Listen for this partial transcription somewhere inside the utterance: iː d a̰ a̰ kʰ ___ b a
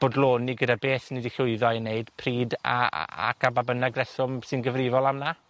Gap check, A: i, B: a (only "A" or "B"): B